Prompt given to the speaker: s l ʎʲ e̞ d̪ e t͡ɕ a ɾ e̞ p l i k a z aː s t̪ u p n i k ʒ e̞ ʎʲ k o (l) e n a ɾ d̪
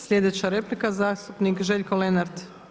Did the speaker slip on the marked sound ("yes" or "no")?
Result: no